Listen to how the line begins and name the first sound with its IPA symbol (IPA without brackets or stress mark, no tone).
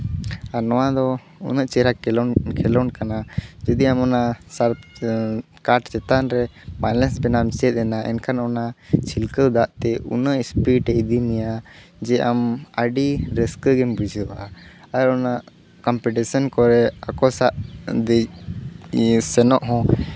a